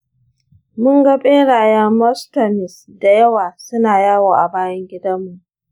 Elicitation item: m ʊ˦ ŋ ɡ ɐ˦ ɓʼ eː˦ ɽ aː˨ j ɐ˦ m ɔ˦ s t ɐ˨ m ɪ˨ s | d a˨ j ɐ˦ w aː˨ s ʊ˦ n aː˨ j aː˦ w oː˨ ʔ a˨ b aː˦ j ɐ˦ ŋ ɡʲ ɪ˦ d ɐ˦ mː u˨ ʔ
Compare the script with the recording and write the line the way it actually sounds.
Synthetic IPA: m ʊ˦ ŋ ɡ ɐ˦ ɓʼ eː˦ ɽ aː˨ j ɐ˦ m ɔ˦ s t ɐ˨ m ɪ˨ s | d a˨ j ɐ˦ w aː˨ s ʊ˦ n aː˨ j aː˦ w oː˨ ʔ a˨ b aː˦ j ɐ˦ ŋ ɡʲ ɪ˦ d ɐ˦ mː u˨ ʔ